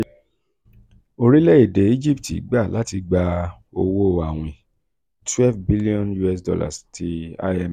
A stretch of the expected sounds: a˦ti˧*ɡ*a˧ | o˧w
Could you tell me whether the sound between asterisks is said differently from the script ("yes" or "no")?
yes